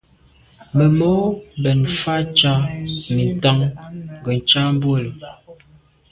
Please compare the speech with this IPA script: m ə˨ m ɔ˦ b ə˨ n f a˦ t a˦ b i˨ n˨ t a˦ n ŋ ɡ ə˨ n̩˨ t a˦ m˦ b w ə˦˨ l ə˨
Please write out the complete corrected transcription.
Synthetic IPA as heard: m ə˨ m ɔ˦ b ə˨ n f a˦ t͡ʃ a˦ m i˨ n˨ t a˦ ŋ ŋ ɡ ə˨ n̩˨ t͡ʃ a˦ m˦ b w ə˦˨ l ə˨